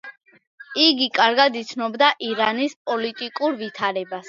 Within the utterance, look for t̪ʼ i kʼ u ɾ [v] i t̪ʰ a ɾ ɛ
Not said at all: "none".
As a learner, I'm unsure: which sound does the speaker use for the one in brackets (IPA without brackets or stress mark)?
v